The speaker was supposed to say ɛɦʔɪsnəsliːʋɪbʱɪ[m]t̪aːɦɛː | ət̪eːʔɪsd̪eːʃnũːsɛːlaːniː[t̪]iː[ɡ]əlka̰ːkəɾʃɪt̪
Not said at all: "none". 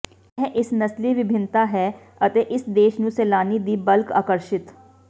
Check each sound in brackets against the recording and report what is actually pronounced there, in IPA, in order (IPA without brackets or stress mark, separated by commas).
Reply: n, d̪, b